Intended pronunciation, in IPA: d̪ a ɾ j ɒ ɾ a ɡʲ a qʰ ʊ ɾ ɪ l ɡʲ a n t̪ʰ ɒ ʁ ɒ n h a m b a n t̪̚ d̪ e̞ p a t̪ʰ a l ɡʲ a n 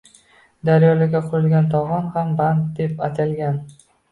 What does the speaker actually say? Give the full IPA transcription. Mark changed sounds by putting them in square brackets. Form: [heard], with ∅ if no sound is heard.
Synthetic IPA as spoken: d̪ a ɾ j ɒ [l] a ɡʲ a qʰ ʊ ɾ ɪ l ɡʲ a n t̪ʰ ɒ ʁ ɒ n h a m b a n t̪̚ d̪ e̞ p a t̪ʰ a l ɡʲ a n

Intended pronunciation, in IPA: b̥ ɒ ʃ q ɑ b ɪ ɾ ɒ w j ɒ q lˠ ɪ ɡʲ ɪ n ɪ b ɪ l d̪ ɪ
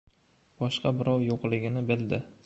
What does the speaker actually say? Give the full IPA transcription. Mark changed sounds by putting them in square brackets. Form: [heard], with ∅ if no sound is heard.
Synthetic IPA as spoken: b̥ ɒ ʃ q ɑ b ɪ ɾ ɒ w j [o] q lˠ ɪ ɡʲ ɪ n ɪ b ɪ l d̪ ɪ

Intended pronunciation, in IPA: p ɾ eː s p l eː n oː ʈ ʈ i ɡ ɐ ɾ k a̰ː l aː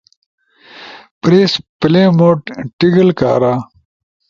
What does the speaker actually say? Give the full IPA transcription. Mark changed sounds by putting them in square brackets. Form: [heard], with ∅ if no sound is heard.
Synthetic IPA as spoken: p ɾ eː s p l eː [m] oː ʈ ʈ i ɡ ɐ [l] k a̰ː [ɾ] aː

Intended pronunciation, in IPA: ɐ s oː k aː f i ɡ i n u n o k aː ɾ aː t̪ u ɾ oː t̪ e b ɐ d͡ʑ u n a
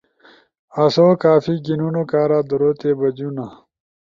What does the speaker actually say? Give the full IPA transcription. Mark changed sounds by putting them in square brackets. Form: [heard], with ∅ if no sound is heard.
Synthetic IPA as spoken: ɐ s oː k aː f i ɡ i n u n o k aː ɾ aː [d̪] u ɾ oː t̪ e b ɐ d͡ʑ u n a

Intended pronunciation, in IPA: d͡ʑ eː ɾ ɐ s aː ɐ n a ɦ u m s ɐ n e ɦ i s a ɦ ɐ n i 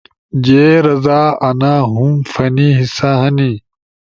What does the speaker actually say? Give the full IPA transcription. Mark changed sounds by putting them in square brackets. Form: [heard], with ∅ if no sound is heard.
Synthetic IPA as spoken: d͡ʑ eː ɾ ɐ [z] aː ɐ n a ɦ u m [f] ɐ n [i] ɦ i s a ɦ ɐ n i

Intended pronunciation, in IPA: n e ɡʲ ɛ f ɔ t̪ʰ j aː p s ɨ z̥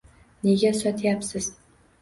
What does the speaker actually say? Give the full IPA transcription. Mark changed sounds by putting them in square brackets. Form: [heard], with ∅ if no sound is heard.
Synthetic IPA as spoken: n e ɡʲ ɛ [s] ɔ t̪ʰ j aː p s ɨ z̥

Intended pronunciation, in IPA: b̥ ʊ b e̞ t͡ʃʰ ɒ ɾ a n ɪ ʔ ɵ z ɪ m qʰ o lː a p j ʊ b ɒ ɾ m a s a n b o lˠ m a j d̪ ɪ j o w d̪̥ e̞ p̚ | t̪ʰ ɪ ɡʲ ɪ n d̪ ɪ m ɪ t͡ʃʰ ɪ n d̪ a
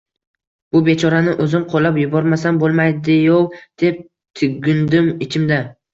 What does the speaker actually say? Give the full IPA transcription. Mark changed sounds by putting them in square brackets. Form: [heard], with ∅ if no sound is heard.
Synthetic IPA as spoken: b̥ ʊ b e̞ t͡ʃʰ ɒ ɾ a n ɪ ʔ ɵ z ɪ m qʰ o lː a p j ʊ b ɒ ɾ m a s a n b o lˠ m a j d̪ ɪ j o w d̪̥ e̞ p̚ | t̪ʰ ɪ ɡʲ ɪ n d̪ ɪ m ɪ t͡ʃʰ ɪ [m] d̪ a

